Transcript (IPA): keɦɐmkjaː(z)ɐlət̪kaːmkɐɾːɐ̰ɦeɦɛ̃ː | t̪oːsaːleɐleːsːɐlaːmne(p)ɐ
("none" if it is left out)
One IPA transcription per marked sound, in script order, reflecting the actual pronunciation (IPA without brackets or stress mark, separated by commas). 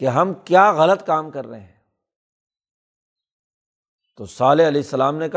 ɣ, k